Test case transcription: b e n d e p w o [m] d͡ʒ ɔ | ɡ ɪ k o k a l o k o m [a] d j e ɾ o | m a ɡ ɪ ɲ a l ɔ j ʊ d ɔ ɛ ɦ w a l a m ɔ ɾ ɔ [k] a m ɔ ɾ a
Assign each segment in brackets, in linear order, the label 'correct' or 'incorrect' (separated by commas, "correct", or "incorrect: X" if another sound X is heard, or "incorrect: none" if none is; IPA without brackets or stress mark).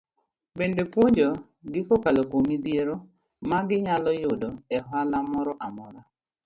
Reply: incorrect: ɲ, incorrect: i, incorrect: ʔ